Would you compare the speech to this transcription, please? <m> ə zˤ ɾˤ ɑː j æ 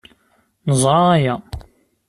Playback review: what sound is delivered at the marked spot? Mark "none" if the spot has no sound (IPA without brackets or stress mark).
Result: n